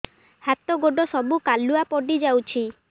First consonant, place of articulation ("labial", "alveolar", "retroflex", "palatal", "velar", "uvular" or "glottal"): glottal